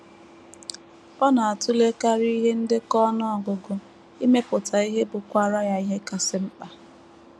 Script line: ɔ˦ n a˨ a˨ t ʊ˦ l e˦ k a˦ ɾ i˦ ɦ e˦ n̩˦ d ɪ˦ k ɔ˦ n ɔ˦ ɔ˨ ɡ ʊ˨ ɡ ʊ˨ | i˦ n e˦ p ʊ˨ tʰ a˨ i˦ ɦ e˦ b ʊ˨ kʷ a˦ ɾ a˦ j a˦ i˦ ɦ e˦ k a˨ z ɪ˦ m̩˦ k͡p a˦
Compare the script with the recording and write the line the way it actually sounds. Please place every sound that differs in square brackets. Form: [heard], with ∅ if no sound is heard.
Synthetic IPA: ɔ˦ n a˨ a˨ t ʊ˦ l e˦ k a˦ ɾ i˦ ɦ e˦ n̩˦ d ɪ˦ k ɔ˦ n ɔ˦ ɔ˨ ɡ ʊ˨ ɡ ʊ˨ | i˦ [m] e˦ p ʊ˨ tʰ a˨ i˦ ɦ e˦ b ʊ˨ kʷ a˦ ɾ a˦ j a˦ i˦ ɦ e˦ k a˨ [s] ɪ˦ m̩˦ k͡p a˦